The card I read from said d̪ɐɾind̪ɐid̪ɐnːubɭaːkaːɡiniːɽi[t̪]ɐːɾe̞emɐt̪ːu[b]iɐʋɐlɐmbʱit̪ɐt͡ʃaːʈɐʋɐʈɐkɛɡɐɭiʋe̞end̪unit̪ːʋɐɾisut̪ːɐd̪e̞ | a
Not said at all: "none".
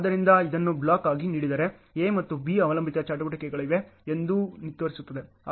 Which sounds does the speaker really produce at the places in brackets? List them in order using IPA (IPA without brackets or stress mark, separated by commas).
d̪, b